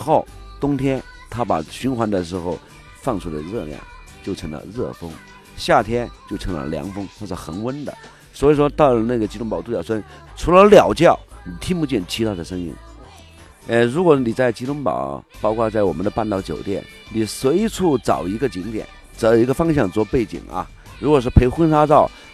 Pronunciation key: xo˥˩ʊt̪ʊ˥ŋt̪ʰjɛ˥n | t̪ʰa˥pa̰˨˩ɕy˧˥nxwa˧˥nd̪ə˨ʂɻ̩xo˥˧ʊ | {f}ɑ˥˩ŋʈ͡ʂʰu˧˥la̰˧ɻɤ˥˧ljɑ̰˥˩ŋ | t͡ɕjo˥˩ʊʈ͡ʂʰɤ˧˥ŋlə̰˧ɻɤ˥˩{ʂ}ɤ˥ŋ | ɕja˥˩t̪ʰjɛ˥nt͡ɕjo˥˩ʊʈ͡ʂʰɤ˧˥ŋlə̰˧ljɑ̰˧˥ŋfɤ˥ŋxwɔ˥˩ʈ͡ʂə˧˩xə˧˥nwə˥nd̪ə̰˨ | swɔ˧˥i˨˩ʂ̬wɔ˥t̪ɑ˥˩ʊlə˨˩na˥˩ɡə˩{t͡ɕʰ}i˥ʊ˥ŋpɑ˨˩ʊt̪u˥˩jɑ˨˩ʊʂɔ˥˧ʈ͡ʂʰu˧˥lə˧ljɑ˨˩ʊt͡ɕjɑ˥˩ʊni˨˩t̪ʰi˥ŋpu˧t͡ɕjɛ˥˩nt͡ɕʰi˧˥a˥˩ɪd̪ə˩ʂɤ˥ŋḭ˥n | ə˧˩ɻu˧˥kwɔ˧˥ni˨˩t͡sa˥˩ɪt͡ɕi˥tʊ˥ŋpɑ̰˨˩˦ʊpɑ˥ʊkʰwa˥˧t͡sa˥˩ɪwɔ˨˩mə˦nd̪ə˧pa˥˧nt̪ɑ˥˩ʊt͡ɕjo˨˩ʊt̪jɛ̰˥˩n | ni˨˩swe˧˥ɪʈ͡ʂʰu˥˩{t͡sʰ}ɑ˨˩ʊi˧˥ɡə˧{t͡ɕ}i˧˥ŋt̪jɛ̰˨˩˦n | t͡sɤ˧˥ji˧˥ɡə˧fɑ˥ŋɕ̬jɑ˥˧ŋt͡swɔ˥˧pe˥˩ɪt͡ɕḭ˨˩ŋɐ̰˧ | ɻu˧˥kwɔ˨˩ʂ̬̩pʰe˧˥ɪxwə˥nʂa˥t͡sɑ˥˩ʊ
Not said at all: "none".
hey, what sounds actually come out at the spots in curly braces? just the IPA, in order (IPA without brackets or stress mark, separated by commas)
f, f, t͡ɕ, t͡s, t͡ɕ